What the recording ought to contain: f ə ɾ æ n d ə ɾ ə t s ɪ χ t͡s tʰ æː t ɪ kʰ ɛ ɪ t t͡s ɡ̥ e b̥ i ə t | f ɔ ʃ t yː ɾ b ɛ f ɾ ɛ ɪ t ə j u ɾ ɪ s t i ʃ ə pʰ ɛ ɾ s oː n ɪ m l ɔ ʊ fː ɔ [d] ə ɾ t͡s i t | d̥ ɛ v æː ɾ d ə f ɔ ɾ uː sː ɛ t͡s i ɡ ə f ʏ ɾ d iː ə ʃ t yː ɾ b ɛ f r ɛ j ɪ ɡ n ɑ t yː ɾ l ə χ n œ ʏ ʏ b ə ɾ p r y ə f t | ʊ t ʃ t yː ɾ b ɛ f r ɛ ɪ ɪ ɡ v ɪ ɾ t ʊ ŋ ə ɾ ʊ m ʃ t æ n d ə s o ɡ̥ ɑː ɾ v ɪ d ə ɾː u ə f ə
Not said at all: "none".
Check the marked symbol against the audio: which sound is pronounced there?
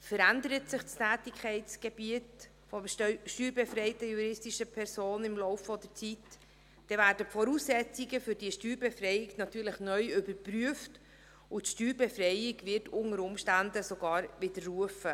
d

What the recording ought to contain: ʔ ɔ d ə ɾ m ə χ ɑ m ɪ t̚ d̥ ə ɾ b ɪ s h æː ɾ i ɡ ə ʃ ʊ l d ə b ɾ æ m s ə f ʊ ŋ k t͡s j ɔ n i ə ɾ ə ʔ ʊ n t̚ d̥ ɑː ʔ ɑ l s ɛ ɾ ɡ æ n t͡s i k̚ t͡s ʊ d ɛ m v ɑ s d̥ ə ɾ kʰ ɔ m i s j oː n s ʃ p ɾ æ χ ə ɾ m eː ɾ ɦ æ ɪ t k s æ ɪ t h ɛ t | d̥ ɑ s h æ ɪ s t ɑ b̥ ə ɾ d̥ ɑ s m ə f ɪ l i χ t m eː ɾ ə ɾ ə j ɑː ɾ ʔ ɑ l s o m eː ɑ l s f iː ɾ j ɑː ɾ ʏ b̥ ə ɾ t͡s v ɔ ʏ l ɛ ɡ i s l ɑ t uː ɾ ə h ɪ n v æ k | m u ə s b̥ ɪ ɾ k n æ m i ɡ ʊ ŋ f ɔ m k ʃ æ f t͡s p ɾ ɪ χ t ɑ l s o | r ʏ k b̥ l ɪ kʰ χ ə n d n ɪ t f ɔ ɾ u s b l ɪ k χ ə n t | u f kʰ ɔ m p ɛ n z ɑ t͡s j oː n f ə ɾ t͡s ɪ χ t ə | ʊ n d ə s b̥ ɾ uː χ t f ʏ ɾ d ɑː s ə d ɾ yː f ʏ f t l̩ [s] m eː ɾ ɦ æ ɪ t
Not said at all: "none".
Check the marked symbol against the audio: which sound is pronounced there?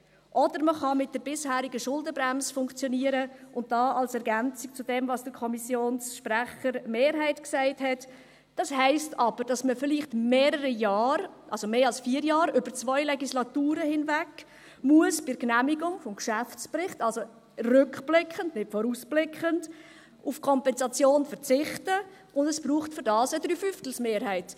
s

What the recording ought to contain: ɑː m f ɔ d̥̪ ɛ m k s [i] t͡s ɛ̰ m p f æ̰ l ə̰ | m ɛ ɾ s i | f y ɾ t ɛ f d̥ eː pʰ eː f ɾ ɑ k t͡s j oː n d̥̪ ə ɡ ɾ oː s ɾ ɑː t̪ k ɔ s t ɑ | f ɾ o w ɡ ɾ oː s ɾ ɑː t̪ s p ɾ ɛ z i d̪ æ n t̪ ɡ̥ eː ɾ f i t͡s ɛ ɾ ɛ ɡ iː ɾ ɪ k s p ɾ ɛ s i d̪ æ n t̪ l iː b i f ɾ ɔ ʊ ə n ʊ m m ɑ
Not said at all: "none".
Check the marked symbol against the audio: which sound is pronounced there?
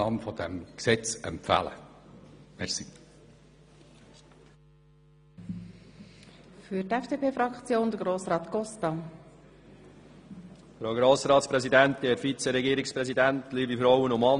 ɛ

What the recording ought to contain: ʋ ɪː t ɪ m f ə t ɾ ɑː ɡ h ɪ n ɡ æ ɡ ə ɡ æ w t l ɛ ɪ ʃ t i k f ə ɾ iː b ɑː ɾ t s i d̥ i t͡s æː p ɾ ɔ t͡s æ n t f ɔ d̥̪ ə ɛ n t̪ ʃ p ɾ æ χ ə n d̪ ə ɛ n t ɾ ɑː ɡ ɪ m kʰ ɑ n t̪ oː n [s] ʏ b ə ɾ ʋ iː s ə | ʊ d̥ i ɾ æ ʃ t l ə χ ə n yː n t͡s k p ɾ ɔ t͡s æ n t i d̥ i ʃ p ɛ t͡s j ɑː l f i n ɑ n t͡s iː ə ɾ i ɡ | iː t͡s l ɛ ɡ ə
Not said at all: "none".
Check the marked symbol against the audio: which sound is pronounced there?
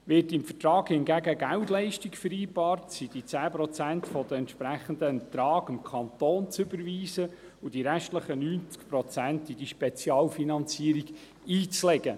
t͡s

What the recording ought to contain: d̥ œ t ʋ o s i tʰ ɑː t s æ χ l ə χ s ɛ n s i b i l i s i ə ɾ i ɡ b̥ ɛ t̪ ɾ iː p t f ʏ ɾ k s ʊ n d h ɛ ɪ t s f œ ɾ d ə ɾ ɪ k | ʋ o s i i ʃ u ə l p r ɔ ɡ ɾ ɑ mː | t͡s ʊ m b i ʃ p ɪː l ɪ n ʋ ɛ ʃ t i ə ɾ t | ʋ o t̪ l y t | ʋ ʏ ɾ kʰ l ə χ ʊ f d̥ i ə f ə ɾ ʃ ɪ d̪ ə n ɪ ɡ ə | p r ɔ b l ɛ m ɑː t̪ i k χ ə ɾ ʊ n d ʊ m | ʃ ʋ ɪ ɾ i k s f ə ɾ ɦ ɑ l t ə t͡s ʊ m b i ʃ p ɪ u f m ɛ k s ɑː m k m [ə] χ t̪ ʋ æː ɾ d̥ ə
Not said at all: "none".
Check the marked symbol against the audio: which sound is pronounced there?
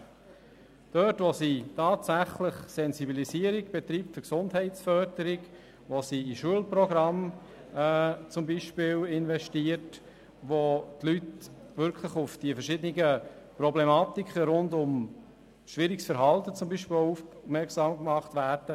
ɑ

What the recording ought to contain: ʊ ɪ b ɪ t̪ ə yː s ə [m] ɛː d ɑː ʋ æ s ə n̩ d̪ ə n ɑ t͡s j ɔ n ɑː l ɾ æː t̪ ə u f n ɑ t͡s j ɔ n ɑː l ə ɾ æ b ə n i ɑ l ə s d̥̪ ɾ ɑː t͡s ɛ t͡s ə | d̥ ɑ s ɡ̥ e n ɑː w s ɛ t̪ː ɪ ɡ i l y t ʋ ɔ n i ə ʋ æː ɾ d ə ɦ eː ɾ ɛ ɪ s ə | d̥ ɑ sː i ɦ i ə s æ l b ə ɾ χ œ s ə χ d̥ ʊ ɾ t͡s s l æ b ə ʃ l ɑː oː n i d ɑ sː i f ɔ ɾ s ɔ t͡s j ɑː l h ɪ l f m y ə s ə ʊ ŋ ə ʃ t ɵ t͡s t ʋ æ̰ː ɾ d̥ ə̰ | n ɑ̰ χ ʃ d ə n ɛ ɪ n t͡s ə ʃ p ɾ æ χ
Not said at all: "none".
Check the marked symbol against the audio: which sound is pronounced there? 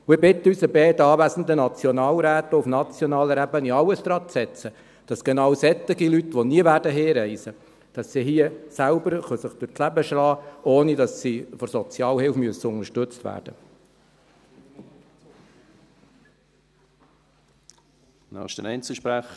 b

